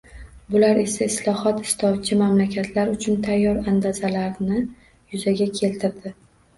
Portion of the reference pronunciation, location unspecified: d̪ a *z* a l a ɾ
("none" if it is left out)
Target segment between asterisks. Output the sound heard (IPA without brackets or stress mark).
z